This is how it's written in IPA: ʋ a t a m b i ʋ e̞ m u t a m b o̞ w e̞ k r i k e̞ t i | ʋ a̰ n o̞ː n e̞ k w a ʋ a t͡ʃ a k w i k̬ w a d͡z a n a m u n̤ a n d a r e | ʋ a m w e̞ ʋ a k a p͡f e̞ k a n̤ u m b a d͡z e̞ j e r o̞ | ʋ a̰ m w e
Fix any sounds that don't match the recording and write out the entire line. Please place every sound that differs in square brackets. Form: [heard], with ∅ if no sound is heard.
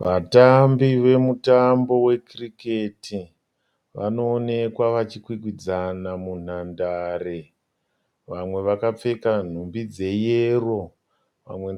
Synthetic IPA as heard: ʋ a t a m b i ʋ e̞ m u t a m b o̞ w e̞ k r i k e̞ t i | ʋ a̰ n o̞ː n e̞ k w a ʋ a t͡ʃ [i] k w i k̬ w [i] d͡z a n a m u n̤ a n d a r e | ʋ a m w e̞ ʋ a k a p͡f e̞ k a n̤ u m b [i] d͡z e̞ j e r o̞ | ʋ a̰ m w e